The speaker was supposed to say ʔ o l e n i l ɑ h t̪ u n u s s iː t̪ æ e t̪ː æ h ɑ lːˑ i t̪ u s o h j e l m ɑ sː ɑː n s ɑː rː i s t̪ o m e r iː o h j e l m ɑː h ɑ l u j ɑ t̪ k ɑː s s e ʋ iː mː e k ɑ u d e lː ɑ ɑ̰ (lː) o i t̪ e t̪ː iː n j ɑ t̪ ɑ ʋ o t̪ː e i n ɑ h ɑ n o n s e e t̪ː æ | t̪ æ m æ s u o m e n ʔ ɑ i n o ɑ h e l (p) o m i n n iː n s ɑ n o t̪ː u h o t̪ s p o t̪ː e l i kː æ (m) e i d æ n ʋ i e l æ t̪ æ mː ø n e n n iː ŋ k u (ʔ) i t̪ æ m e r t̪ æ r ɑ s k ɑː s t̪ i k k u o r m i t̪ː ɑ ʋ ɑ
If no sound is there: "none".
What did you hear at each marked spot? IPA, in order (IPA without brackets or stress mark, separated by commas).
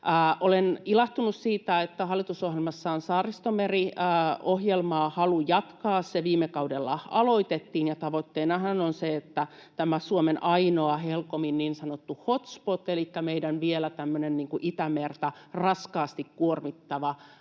l, k, m, ʔ